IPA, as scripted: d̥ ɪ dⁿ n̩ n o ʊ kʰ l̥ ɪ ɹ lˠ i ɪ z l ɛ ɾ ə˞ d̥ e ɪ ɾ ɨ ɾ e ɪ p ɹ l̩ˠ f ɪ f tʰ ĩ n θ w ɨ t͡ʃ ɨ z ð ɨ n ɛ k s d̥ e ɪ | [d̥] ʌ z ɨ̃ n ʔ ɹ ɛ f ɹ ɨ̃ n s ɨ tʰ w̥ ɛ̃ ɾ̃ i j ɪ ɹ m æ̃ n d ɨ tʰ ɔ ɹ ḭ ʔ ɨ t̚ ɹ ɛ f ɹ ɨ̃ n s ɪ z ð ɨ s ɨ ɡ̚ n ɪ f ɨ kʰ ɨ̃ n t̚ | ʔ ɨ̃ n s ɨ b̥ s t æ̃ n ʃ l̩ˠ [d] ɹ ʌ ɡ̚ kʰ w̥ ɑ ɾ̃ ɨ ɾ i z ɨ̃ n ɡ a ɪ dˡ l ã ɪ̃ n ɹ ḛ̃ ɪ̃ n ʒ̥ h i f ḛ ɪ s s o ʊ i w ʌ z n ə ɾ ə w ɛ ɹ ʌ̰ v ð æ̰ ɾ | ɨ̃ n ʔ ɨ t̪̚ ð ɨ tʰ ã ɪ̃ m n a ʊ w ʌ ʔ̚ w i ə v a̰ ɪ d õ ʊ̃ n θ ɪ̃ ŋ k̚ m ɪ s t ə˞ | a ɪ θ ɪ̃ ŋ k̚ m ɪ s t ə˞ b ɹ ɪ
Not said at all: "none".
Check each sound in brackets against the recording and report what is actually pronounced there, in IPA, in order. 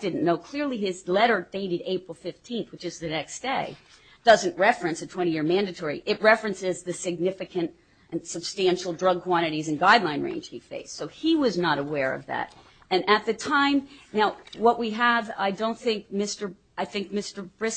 d̥, d

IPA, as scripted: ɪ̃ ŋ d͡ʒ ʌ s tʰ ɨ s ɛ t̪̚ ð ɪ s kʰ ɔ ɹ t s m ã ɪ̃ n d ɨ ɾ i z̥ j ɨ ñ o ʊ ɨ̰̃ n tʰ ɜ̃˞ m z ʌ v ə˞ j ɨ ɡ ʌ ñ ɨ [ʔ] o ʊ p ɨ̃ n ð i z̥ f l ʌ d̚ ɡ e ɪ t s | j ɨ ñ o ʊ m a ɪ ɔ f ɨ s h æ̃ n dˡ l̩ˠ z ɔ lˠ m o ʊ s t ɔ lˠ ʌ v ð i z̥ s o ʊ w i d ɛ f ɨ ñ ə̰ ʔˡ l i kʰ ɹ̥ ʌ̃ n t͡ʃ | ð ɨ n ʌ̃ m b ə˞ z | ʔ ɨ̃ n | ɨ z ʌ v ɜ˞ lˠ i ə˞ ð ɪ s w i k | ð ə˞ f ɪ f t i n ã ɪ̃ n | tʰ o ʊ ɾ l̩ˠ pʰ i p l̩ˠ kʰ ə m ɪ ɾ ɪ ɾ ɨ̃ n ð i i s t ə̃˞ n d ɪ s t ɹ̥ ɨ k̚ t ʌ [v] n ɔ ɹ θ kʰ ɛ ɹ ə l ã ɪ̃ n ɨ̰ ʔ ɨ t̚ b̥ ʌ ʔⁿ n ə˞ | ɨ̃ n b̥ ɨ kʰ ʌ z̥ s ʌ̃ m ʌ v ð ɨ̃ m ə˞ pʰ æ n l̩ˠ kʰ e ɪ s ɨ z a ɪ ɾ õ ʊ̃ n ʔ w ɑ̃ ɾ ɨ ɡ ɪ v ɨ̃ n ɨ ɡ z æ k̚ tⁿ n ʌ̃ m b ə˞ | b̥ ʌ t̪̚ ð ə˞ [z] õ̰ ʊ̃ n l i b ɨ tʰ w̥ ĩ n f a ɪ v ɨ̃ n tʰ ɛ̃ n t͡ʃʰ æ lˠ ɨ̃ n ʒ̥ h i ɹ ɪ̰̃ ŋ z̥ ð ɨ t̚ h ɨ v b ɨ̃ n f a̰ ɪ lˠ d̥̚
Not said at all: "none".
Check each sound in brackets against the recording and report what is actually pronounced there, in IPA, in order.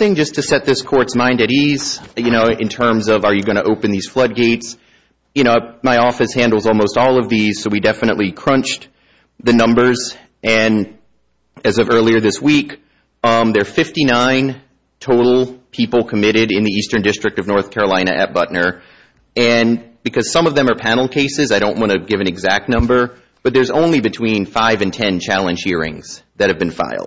ʔ, v, z

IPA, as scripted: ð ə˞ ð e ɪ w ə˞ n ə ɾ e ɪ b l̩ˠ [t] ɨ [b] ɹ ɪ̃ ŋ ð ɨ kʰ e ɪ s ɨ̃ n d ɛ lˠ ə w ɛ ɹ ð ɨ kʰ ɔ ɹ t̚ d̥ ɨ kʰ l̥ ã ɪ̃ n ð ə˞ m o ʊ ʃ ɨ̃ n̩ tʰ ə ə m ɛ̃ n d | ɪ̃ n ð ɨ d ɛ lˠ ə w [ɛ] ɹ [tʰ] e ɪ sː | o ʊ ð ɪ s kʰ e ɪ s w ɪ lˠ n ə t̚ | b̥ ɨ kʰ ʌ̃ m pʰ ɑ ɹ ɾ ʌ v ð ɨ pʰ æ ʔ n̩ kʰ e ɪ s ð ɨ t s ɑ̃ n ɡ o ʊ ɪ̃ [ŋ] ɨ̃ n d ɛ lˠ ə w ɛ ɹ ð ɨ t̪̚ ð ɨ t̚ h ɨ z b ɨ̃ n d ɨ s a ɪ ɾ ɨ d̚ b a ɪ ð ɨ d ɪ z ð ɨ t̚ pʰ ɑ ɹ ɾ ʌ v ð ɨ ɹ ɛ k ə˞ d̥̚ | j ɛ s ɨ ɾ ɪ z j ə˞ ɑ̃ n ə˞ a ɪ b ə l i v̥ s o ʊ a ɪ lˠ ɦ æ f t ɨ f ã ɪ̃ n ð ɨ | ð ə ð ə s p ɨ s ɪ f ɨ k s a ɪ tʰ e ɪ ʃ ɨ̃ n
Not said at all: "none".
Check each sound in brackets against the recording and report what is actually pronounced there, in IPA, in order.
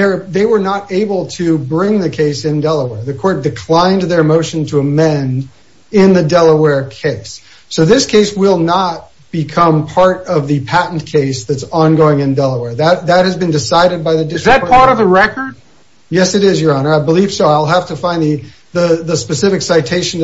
tʰ, b, ɛ, kʰ, ŋ

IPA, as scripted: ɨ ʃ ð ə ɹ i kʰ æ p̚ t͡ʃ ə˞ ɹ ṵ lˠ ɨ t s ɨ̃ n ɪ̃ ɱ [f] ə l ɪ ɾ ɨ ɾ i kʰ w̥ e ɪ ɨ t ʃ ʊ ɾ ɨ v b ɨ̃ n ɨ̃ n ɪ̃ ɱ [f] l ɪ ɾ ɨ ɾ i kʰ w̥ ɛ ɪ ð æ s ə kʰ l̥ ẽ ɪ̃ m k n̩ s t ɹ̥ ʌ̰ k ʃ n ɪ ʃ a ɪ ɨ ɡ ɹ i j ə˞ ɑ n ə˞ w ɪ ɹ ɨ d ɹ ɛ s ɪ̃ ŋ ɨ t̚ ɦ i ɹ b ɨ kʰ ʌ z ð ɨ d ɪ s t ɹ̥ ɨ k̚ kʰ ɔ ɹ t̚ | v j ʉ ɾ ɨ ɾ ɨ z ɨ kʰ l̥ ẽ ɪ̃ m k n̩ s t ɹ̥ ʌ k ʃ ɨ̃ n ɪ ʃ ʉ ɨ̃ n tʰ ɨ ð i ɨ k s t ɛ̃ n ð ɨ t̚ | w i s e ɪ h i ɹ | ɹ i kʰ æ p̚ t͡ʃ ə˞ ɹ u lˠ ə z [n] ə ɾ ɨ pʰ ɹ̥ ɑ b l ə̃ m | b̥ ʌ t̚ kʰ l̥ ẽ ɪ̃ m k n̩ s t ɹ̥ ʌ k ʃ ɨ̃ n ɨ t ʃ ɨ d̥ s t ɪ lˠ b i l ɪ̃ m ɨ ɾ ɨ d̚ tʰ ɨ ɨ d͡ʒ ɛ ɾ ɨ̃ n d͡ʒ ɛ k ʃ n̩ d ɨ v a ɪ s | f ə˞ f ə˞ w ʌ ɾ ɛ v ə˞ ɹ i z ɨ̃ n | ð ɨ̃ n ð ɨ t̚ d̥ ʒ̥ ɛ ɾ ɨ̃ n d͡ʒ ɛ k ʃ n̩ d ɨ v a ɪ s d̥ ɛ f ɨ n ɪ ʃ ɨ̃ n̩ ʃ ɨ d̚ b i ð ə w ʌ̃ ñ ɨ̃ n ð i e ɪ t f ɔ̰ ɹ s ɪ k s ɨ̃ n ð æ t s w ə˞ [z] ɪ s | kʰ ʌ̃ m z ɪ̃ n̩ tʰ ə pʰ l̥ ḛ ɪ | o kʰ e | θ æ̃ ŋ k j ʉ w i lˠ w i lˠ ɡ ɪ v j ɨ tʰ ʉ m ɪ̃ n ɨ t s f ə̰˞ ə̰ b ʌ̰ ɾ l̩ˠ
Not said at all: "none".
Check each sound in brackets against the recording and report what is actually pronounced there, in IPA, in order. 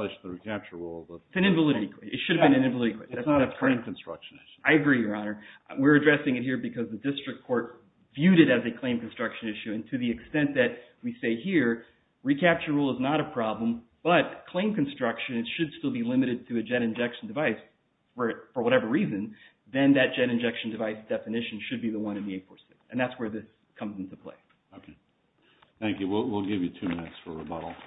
v, v, n, ð

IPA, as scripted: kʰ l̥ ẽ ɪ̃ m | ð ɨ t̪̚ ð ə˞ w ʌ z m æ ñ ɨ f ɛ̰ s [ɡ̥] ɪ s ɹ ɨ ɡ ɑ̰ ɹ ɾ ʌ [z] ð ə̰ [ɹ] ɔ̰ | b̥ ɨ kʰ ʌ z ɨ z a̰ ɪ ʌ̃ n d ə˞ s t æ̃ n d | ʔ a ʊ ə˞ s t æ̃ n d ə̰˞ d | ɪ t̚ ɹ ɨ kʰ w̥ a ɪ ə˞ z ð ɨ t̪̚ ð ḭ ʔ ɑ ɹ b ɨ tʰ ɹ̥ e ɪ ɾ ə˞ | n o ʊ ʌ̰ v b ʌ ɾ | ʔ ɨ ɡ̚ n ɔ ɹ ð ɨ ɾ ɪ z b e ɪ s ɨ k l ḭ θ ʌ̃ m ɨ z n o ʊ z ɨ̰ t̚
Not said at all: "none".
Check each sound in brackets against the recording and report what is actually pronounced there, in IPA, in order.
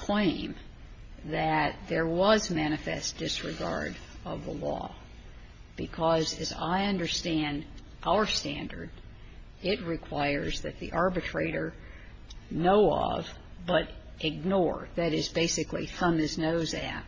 d̥, v, l

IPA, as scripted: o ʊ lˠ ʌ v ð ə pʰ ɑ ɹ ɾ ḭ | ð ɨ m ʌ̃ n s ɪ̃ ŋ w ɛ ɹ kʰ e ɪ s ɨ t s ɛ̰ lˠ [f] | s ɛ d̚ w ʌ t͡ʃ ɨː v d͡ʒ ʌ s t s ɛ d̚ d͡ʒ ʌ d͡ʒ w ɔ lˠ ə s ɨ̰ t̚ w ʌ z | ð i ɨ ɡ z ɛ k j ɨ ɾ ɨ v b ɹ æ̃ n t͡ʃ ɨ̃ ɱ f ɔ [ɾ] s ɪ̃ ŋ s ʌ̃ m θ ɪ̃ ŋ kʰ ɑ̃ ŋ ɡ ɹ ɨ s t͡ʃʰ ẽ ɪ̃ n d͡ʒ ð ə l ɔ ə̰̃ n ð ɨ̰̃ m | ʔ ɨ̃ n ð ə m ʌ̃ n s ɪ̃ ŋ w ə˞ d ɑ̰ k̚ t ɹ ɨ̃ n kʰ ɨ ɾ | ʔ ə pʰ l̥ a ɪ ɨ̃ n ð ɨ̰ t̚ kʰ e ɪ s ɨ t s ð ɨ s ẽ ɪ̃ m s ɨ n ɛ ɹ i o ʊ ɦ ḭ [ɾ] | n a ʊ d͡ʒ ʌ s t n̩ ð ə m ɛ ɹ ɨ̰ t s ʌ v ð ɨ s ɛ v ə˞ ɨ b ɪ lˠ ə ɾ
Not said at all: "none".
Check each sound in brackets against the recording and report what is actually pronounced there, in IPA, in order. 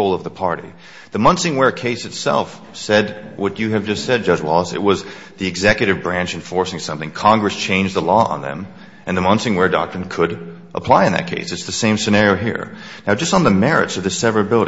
f, ɹ, ɹ

